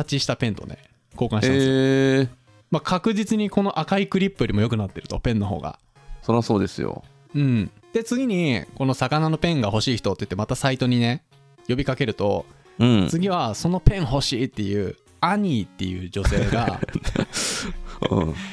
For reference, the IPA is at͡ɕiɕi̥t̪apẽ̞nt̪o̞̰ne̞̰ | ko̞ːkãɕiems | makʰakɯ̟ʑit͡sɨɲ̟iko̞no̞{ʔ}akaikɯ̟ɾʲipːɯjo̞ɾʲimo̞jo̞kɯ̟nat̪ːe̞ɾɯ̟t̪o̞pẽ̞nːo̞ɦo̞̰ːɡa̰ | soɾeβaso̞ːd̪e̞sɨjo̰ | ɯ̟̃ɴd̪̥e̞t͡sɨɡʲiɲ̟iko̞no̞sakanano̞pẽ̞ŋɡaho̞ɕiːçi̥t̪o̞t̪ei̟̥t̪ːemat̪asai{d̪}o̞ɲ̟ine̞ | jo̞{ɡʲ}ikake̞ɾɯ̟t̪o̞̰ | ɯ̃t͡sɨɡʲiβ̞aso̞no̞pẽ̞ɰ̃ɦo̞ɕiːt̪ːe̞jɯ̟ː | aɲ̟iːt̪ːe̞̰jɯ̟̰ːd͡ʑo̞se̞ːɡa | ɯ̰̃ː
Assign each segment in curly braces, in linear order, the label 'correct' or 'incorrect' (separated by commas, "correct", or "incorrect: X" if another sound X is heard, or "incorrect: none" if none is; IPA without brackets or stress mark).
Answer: correct, incorrect: t̪, incorrect: bʲ